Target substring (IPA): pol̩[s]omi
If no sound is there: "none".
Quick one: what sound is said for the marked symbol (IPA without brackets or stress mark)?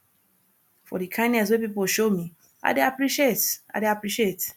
ʃ